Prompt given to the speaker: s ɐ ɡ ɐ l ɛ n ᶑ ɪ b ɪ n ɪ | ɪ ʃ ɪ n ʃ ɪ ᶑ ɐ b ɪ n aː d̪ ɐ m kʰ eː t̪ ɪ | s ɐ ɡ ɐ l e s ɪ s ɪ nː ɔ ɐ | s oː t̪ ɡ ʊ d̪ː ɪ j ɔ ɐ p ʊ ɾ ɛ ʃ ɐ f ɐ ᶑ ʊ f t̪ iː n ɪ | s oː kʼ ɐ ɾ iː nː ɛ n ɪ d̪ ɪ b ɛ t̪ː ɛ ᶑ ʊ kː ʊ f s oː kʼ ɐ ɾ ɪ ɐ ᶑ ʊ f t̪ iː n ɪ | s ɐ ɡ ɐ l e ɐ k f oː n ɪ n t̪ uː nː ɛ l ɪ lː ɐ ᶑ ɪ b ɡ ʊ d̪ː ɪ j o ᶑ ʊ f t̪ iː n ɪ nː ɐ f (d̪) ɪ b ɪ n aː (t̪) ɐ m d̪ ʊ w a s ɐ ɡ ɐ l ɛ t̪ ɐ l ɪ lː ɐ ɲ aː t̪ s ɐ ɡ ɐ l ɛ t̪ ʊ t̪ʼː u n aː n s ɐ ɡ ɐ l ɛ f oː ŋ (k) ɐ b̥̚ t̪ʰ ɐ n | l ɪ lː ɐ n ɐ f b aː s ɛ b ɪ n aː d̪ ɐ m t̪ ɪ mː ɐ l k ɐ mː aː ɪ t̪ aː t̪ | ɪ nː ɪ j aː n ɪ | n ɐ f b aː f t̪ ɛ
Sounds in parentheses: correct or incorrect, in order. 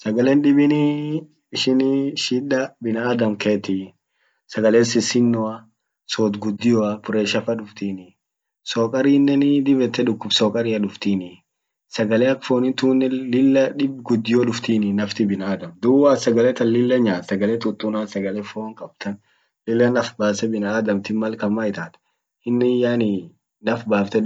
incorrect, incorrect, incorrect

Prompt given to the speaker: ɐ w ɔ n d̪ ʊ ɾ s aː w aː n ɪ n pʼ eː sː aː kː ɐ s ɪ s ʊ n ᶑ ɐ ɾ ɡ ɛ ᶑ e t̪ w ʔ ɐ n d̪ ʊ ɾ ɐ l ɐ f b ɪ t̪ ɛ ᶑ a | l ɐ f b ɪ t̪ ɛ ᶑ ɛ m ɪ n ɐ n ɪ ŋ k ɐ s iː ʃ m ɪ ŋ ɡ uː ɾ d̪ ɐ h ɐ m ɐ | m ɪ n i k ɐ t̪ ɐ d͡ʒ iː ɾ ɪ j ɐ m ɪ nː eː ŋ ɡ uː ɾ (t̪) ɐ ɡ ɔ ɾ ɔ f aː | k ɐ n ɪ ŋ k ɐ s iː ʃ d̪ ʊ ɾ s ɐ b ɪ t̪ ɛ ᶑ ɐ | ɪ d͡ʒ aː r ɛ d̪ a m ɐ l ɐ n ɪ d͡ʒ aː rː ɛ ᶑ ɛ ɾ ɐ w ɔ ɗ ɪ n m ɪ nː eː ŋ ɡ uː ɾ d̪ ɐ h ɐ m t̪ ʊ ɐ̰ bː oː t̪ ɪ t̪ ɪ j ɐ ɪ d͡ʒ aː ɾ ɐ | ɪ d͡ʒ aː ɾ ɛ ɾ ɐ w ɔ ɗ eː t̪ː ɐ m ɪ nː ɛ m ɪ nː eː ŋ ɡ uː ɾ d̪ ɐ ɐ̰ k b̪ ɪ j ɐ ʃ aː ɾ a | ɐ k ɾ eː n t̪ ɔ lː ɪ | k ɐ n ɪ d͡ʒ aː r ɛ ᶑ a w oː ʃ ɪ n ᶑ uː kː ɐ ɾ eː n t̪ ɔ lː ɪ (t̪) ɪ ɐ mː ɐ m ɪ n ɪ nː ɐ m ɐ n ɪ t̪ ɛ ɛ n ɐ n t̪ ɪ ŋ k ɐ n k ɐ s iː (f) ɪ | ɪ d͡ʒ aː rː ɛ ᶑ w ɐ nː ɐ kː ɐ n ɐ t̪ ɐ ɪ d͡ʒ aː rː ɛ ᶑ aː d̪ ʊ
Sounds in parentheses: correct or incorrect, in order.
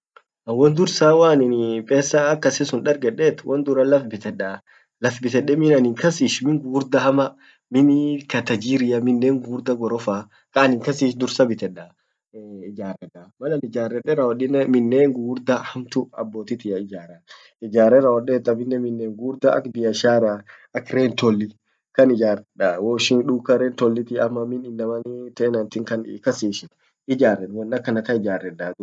incorrect, correct, incorrect

